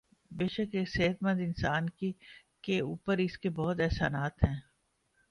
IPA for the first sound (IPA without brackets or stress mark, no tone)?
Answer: b